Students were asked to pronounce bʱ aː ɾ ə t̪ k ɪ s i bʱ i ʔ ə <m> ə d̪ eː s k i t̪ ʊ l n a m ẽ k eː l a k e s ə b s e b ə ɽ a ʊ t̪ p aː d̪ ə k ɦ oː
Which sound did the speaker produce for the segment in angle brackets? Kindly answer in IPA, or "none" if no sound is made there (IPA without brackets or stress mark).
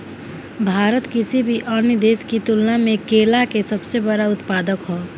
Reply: n